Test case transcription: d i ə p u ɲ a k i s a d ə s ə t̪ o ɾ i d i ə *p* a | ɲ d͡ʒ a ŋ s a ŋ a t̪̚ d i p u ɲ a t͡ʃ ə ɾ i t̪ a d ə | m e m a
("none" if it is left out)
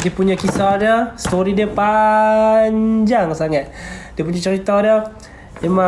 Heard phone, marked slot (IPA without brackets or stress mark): p